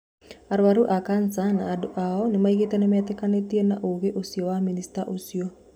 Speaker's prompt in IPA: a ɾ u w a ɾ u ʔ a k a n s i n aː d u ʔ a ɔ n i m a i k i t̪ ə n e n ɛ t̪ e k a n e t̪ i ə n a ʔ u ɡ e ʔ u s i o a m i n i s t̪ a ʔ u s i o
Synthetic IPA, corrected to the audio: a ɾ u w a ɾ u ʔ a k a n s a n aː d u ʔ a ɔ n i m a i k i t̪ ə n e m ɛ t̪ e k a n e t̪ i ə n a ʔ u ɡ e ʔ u s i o a m i n i s t̪ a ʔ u s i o